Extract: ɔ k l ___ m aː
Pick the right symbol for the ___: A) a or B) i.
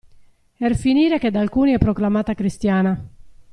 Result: A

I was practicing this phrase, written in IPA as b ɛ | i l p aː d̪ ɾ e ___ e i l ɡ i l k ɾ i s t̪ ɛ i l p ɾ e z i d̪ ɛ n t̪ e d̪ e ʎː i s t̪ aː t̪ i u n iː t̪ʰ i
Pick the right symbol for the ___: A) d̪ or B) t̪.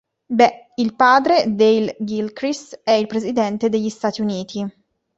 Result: A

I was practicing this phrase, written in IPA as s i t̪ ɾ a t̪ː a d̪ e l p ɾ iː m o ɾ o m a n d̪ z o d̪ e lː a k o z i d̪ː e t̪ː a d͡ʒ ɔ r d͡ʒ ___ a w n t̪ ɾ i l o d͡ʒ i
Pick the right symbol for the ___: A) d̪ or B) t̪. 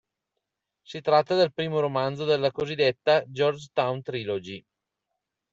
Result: B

